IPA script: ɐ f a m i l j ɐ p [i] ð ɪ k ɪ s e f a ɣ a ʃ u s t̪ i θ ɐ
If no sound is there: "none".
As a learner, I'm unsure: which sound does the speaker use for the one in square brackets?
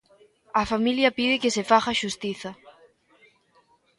i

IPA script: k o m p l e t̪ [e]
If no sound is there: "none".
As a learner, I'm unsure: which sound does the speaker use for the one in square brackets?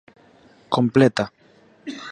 a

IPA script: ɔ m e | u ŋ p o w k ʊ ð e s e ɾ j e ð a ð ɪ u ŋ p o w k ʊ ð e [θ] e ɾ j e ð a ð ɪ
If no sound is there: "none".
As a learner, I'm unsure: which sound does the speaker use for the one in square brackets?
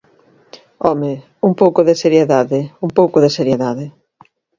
s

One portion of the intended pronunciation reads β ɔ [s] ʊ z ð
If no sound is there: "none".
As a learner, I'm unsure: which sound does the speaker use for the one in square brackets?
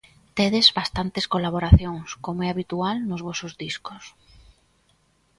s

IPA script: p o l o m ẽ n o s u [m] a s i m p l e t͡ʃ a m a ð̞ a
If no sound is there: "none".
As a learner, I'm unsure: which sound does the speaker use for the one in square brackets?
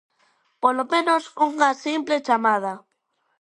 ŋ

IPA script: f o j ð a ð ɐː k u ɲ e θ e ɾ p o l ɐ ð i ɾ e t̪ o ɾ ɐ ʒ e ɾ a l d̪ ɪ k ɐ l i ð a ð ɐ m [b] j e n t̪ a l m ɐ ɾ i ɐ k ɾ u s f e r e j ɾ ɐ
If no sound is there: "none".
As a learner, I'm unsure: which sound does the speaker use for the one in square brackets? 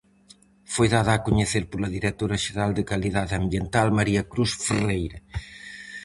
b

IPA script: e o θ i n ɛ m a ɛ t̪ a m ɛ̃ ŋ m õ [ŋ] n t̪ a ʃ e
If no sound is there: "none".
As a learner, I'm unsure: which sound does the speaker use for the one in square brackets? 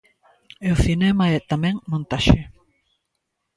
none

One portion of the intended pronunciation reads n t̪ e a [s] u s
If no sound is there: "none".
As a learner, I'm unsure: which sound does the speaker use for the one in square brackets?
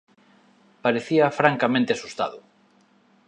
s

